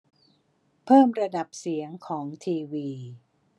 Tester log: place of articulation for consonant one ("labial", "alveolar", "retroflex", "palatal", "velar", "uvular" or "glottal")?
labial